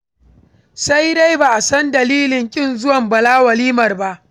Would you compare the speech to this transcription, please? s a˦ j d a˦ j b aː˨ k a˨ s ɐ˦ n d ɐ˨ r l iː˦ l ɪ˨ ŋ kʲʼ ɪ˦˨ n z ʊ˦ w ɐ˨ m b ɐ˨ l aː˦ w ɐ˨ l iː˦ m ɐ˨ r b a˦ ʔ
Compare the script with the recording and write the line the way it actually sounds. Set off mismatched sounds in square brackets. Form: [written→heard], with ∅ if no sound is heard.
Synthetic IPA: s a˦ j d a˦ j b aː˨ [k→ʔ] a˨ s ɐ˦ n d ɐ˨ [r→∅] l iː˦ l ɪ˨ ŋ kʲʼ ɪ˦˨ n z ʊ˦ w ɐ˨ m b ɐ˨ l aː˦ w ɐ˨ l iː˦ m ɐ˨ r b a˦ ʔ

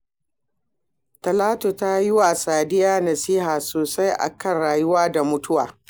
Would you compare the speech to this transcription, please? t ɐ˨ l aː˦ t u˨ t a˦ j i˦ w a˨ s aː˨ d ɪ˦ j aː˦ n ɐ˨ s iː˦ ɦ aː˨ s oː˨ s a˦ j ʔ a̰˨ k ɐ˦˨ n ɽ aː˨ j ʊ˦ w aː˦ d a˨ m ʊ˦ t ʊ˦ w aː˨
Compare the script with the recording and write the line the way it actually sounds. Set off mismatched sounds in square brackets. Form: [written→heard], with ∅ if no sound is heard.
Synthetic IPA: t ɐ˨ l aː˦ t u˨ t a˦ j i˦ w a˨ s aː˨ d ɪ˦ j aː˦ n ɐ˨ s iː˦ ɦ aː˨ s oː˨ s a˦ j ʔ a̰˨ k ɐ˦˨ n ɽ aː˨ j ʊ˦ w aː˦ d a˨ m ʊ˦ t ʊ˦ w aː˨

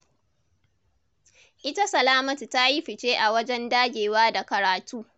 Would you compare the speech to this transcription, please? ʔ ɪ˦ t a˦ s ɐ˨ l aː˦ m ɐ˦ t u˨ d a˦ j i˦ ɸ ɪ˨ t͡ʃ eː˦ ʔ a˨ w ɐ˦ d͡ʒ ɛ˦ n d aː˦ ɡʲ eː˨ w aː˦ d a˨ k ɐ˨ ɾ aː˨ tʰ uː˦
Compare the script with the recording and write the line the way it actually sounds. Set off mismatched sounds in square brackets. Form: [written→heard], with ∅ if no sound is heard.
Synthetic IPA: ʔ ɪ˦ t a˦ s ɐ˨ l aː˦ m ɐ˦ t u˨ [d→t] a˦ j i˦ ɸ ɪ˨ t͡ʃ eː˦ ʔ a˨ w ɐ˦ d͡ʒ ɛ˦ n d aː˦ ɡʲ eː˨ w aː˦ d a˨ k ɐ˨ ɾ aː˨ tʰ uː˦

